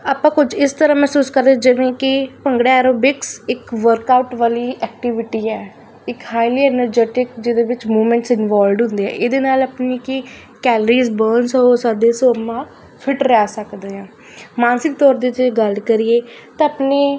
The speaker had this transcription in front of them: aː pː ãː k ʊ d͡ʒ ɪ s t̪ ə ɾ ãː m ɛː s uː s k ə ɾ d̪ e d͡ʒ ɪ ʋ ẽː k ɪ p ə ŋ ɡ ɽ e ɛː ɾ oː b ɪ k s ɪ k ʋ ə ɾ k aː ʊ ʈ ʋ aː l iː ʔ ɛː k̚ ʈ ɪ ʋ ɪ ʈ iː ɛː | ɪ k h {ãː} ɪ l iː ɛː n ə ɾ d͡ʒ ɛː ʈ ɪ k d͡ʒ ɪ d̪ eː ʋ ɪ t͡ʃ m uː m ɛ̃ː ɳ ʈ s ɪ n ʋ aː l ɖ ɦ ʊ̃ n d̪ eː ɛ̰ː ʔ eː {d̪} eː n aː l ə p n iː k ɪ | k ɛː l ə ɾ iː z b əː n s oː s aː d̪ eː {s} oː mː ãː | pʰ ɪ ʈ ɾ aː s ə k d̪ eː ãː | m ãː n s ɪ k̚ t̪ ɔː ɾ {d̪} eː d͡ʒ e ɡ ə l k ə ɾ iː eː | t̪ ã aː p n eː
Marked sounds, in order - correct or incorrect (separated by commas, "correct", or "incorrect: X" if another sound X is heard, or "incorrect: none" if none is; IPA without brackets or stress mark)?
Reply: incorrect: aː, correct, correct, correct